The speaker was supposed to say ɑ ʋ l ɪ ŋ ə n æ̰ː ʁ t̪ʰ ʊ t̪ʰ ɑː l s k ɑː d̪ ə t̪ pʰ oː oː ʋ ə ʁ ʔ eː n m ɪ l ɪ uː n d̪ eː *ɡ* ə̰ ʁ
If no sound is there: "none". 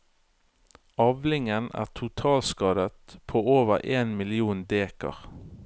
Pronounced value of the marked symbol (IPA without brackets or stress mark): k